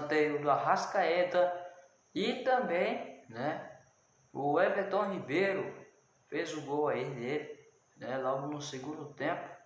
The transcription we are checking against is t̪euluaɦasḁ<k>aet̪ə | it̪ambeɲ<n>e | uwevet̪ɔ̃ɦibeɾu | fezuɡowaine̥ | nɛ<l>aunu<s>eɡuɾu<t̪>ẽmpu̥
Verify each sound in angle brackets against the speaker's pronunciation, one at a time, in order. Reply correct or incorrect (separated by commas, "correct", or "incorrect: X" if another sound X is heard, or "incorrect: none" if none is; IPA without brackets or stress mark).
correct, correct, correct, correct, correct